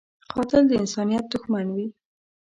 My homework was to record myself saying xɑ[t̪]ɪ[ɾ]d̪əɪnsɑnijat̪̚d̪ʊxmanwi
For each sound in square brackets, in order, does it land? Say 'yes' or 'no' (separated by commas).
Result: yes, no